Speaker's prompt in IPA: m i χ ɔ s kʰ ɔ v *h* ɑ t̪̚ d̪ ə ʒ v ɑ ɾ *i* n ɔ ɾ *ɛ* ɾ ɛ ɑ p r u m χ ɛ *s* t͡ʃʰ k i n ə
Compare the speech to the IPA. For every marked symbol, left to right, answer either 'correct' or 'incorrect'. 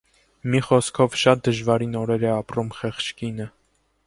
incorrect, correct, correct, incorrect

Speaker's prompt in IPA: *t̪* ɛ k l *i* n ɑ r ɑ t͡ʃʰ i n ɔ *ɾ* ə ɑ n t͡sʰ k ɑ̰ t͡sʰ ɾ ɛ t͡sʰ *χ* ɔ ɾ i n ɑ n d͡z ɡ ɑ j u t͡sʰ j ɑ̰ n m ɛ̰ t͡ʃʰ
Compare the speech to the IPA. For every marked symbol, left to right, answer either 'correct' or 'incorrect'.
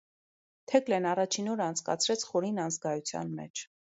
incorrect, incorrect, correct, correct

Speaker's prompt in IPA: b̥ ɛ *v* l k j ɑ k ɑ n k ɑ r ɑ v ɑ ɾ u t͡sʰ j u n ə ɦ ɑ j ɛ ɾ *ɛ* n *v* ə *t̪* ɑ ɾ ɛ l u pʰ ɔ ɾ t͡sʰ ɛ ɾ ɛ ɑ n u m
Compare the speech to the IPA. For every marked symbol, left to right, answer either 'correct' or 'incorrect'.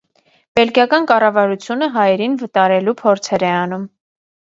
incorrect, incorrect, correct, correct

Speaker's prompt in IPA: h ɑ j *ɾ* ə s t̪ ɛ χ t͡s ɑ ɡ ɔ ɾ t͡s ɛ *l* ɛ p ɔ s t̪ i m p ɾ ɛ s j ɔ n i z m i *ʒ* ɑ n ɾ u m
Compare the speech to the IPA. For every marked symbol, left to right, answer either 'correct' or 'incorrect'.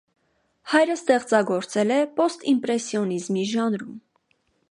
correct, correct, correct

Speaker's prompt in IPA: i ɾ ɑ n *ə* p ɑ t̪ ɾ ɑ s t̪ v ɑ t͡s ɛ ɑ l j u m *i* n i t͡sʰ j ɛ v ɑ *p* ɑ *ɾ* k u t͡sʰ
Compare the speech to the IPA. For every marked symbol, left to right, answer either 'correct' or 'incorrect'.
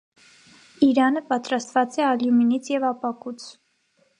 correct, correct, correct, incorrect

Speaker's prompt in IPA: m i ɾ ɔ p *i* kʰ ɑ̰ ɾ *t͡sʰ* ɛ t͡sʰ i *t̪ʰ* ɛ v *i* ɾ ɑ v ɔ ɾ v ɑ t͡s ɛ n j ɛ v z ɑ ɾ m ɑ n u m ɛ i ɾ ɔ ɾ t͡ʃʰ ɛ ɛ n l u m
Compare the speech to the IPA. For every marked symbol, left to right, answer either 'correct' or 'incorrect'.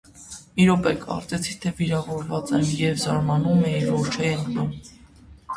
incorrect, incorrect, correct, correct

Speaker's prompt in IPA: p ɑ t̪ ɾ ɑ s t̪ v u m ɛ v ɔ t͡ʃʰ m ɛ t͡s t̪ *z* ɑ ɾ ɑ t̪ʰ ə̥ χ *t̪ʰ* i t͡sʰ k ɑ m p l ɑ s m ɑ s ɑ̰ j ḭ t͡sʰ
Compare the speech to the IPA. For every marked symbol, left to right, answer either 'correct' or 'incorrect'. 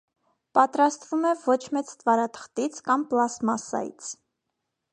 incorrect, incorrect

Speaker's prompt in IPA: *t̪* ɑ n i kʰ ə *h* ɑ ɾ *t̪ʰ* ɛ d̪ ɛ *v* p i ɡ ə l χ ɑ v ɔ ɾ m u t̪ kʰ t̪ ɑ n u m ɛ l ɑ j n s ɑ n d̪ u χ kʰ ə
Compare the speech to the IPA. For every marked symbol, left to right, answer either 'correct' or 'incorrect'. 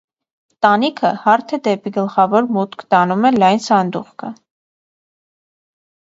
correct, correct, correct, incorrect

